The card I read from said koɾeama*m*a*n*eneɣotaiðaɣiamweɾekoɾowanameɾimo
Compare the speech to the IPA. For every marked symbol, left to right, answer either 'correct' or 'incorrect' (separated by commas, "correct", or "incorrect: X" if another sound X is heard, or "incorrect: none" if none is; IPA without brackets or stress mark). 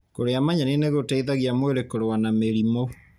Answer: incorrect: ɲ, correct